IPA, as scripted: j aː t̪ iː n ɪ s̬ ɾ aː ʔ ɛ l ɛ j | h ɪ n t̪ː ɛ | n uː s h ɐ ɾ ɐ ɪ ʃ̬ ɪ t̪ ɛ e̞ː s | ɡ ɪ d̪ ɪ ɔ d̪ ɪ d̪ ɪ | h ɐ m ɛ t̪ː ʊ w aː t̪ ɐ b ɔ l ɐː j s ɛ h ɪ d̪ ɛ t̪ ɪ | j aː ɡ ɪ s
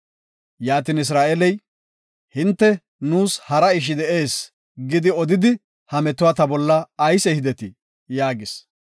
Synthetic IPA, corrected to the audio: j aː t̪ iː n ɪ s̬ ɾ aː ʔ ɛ l ɛ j | h ɪ n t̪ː ɛ | n uː s h ɐ ɾ ɐ ɪ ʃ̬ ɪ d̪ ɛ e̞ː s | ɡ ɪ d̪ ɪ ɔ d̪ ɪ d̪ ɪ | h ɐ m ɛ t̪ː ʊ w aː t̪ ɐ b ɔ lː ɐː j s ɛ h ɪ d̪ ɛ t̪ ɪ | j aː ɡ ɪ s